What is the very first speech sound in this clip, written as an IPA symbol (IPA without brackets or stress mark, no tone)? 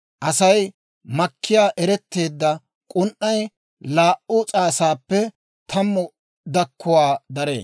ʔ